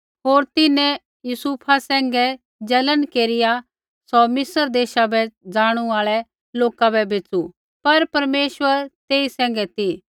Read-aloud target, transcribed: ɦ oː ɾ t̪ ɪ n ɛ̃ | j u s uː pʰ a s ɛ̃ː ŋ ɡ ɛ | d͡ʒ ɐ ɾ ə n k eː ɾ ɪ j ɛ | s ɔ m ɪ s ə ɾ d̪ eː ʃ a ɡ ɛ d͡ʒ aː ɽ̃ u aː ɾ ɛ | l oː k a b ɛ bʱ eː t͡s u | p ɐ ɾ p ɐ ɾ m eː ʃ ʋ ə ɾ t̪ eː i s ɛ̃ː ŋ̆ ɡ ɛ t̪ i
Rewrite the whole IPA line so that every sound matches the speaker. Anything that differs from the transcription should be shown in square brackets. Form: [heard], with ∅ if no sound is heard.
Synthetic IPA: ɦ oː ɾ t̪ ɪ n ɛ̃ | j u s uː pʰ a s ɛ̃ː ŋ ɡ ɛ | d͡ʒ ɐ [l] ə n k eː ɾ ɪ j [a] | s ɔ m ɪ s ə ɾ d̪ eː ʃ a [b] ɛ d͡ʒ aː ɽ̃ u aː [ɭ] ɛ | l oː k a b ɛ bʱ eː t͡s u | p ɐ ɾ p ɐ ɾ m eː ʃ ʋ ə ɾ t̪ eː i s ɛ̃ː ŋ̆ ɡ ɛ t̪ i